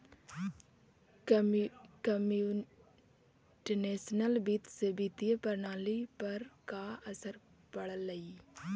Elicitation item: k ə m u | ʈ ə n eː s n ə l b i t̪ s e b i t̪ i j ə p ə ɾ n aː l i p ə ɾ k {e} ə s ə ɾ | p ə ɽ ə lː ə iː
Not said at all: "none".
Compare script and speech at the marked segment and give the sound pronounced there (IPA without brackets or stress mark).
a